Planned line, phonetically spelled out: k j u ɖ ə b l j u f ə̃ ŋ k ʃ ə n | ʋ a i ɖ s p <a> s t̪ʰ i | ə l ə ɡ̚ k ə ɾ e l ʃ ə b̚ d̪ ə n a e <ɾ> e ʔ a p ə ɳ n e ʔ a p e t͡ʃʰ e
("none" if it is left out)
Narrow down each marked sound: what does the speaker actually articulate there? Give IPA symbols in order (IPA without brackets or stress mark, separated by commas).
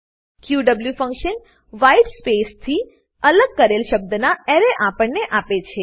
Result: e, ɾ